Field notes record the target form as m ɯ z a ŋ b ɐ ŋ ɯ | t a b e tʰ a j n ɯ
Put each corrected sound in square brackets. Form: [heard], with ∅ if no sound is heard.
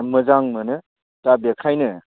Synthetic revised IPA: m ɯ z a ŋ [m] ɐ [n] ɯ | t a b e [kʰ] a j n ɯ